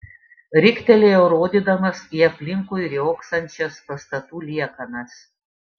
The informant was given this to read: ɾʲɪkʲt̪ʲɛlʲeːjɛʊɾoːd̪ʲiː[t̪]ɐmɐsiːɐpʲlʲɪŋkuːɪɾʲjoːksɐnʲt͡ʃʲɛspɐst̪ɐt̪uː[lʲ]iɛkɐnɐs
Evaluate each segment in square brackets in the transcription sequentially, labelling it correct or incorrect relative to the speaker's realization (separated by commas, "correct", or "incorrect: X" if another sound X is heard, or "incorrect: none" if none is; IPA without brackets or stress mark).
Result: incorrect: d̪, correct